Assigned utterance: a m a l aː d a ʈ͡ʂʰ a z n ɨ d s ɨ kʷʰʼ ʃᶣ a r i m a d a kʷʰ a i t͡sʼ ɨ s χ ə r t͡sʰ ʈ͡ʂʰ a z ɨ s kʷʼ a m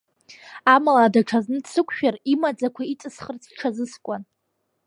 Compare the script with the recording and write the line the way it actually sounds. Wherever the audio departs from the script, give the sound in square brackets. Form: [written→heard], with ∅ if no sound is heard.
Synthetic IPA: a m a l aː d a ʈ͡ʂʰ a z n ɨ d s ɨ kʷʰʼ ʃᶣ a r i m a [d→d͡z] a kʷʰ a i t͡sʼ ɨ s χ ə r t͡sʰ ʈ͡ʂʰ a z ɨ s kʷʼ a [m→n]